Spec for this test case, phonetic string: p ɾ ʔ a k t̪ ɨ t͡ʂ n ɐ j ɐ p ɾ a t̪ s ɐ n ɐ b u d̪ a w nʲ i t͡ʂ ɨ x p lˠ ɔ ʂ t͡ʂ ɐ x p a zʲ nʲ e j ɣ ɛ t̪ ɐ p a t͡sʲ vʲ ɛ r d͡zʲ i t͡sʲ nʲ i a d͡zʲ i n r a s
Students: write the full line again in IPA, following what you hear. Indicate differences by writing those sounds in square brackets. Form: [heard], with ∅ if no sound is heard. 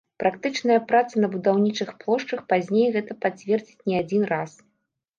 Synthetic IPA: p ɾ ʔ a k t̪ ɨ t͡ʂ n ɐ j ɐ p ɾ a t̪ s ɐ n ɐ b u d̪ a w nʲ i t͡ʂ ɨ x p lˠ ɔ ʂ t͡ʂ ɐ x p a zʲ nʲ e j ɣ ɛ t̪ ɐ p a t͡sʲ vʲ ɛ r d͡zʲ i t͡sʲ nʲ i a d͡zʲ i n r a s

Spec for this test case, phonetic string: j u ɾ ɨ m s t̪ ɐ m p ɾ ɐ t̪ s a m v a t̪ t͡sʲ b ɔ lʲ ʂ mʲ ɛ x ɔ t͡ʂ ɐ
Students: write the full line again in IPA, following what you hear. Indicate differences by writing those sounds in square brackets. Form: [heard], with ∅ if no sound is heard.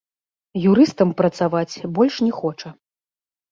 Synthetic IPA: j u ɾ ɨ [∅] s t̪ ɐ m p ɾ ɐ t̪ s a [∅] v a [∅] t͡sʲ b ɔ lʲ ʂ [nʲ] ɛ x ɔ t͡ʂ ɐ

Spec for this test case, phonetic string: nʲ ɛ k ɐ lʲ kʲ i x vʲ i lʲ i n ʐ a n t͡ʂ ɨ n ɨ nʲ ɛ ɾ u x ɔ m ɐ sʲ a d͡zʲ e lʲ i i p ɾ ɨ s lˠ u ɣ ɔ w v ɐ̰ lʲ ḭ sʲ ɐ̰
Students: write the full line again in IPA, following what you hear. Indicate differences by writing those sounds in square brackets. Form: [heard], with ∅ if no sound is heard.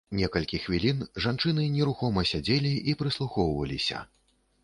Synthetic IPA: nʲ ɛ k ɐ lʲ kʲ i x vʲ i lʲ i n ʐ a n t͡ʂ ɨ n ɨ nʲ ɛ ɾ u x ɔ m ɐ sʲ a d͡zʲ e lʲ i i p ɾ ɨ s lˠ u [x] ɔ w v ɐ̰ lʲ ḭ sʲ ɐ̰

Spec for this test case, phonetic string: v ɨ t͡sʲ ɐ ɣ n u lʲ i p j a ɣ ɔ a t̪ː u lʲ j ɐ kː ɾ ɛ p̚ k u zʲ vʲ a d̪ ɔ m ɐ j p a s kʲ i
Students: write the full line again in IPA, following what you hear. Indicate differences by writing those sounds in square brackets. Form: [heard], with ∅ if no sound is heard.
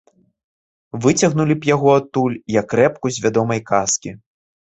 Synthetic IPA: v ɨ t͡sʲ ɐ ɣ n u lʲ i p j a ɣ ɔ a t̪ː u lʲ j ɐ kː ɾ ɛ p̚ k u zʲ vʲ a d̪ ɔ m ɐ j [k] a s kʲ i

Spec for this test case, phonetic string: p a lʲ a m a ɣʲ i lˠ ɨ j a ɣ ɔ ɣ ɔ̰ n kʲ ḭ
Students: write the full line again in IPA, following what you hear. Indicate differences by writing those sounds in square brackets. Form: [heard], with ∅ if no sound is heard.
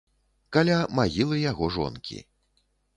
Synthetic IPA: [k] a lʲ a m a ɣʲ i lˠ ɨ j a ɣ ɔ [ʐ] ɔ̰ n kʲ ḭ

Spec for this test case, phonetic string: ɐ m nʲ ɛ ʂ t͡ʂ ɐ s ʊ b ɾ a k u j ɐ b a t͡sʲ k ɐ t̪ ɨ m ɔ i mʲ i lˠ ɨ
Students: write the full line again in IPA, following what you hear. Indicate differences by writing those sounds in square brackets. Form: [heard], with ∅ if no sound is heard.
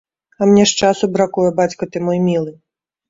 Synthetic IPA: ɐ m nʲ ɛ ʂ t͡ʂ [a] s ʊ b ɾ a k u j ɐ b a t͡sʲ k ɐ t̪ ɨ m ɔ [j] mʲ i lˠ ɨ

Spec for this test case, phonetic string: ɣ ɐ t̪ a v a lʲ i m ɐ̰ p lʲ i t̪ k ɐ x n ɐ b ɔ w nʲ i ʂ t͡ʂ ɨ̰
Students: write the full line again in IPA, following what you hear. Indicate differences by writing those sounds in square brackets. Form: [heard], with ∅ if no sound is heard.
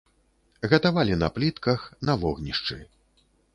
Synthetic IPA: ɣ ɐ t̪ a v a lʲ i [n] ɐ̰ p lʲ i t̪ k ɐ x n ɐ [v] ɔ [ɣ] nʲ i ʂ t͡ʂ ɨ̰

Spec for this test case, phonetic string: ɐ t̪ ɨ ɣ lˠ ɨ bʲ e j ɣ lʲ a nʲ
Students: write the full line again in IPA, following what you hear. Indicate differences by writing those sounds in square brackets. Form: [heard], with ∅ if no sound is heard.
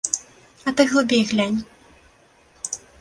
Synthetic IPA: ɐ t̪ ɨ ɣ lˠ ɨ bʲ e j ɣ lʲ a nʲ

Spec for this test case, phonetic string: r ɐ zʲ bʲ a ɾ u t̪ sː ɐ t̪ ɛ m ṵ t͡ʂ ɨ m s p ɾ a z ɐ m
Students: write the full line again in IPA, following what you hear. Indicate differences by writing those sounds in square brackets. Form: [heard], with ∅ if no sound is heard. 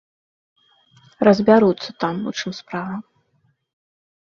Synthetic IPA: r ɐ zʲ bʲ a ɾ u t̪ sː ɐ t̪ [a] m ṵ t͡ʂ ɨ m s p ɾ a [v] ɐ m

